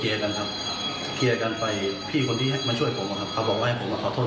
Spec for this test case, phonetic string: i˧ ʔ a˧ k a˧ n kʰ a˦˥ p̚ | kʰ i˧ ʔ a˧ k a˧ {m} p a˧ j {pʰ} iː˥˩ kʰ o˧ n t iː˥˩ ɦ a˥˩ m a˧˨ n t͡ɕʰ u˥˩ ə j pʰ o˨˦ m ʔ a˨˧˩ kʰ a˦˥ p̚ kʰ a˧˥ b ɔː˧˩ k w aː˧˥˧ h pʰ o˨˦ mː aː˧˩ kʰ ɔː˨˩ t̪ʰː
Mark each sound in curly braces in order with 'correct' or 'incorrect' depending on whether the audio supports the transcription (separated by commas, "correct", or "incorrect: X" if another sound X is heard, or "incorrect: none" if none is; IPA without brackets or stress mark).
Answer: incorrect: n, correct